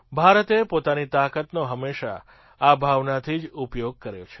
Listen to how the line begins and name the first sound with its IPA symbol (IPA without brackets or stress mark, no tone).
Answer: bʱ